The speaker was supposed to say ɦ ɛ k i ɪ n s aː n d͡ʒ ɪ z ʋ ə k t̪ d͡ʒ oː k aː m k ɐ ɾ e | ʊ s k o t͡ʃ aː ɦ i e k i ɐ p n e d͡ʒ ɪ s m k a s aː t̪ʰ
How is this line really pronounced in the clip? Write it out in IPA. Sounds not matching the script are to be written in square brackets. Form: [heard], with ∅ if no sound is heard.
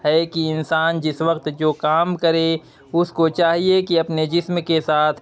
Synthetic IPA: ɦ ɛ k i ɪ n s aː n d͡ʒ ɪ [s] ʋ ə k t̪ d͡ʒ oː k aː m k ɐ ɾ e | ʊ s k o t͡ʃ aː ɦ i e k i ɐ p n e d͡ʒ ɪ s m k [e] s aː t̪ʰ